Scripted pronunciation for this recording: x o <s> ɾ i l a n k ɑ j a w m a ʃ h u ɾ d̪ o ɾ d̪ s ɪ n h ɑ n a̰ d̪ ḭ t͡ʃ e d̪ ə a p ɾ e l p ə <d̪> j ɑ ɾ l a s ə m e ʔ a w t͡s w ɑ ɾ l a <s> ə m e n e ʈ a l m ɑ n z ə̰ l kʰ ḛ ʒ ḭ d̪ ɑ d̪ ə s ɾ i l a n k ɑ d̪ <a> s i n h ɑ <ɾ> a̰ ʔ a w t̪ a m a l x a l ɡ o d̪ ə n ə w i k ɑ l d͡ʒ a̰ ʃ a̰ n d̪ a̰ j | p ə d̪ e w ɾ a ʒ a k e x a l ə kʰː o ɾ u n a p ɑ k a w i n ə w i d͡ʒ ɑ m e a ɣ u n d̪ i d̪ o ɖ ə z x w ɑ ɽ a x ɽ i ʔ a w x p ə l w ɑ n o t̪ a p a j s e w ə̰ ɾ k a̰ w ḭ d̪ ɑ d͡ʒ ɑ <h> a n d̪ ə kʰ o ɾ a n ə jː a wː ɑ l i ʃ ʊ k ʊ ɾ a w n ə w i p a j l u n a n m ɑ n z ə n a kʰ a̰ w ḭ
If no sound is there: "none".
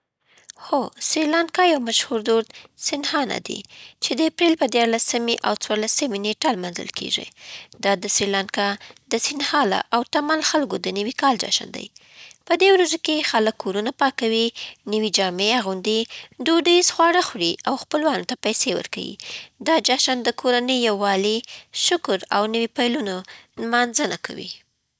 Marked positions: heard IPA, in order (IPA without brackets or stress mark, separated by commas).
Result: s, d̪, s, ə, l, ʃ